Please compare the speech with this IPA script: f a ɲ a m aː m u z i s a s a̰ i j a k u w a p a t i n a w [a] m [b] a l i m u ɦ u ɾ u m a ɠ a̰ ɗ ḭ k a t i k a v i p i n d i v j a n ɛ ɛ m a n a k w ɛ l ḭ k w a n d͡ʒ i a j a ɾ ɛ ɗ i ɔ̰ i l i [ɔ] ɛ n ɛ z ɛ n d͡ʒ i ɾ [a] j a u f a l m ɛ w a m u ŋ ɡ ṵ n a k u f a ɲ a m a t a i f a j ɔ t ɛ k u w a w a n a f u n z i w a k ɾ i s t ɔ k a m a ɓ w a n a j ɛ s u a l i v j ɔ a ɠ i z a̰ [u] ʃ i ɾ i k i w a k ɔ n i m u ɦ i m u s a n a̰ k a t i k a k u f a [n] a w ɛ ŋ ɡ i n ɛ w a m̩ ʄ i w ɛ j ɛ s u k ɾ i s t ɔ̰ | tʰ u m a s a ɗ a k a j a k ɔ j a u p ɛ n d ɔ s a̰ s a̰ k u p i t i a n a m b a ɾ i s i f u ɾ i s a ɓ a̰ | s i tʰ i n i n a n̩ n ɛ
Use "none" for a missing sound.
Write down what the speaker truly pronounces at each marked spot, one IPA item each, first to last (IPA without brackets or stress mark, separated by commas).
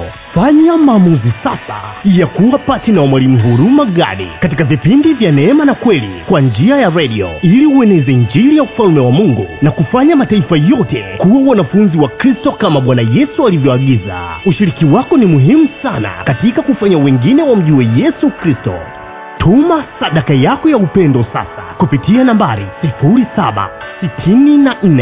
a, w, u, i, u, ɲ